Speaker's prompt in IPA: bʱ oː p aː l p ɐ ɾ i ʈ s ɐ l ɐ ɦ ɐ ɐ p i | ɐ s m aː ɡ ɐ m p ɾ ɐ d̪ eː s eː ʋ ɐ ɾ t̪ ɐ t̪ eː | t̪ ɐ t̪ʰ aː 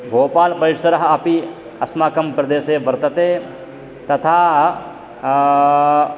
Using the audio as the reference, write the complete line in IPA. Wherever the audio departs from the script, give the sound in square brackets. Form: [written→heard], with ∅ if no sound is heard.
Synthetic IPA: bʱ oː p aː l p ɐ ɾ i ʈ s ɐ [l→ɾ] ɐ ɦ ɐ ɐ p i | ɐ s m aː [ɡ→k] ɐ m p ɾ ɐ d̪ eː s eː ʋ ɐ ɾ t̪ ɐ t̪ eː | t̪ ɐ t̪ʰ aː